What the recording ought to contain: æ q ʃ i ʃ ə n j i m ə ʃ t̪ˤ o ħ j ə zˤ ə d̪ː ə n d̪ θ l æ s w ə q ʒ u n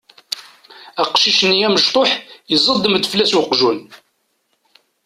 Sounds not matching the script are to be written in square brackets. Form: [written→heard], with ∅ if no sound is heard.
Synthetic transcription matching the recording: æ q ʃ i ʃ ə n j [i→æ] m ə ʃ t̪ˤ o ħ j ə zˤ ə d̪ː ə [n→m] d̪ [θ→f] l æ s w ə q ʒ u n